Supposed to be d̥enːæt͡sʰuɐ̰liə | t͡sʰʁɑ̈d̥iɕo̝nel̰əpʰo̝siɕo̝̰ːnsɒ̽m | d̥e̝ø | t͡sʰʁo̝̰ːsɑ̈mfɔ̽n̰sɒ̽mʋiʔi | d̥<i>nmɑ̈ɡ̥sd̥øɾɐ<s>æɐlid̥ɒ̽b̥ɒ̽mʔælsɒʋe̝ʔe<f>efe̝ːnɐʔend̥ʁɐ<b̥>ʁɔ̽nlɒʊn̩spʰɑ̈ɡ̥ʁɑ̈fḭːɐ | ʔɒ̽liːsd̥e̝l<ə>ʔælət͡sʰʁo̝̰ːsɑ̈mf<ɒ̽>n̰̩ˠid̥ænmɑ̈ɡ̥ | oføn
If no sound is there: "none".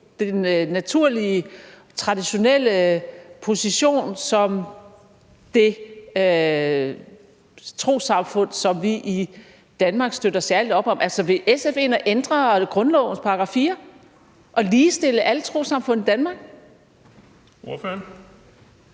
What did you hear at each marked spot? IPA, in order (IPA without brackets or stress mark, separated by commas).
æ, s, s, ɡ̥, ə, ɔ̽